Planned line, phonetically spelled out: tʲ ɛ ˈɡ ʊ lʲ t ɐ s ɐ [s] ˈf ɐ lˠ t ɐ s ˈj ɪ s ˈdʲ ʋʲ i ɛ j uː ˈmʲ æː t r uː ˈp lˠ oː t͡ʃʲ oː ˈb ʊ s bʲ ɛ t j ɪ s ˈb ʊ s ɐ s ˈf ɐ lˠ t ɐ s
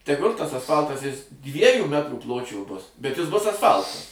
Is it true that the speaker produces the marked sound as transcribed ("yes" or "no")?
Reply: yes